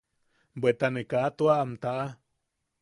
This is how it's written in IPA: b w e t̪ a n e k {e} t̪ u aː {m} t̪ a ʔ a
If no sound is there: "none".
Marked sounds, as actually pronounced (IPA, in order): a, m

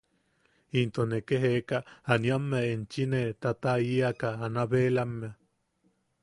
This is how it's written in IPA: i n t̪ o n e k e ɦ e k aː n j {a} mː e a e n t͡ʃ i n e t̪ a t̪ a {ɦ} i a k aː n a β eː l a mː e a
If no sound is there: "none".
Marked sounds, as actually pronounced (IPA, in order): a, none

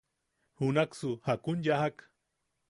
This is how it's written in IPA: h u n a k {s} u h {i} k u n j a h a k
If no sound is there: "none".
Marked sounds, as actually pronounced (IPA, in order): s, a

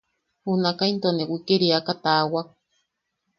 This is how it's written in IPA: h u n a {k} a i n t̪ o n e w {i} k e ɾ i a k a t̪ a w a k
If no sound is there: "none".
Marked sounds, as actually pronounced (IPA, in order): k, i

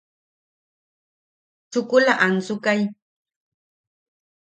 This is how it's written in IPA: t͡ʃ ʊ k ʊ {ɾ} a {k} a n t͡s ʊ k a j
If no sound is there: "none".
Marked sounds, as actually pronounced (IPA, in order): l, ʔ

